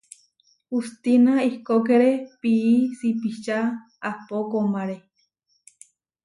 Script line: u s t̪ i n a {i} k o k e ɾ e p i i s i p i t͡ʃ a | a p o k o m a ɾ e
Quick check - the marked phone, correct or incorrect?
correct